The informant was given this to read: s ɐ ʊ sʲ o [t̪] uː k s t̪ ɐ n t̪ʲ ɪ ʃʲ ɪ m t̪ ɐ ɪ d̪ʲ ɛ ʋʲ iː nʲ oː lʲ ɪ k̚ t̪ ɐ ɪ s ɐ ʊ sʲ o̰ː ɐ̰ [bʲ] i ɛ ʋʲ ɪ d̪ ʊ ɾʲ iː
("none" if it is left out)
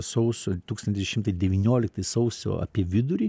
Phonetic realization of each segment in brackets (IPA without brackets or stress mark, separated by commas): t̪, pʲ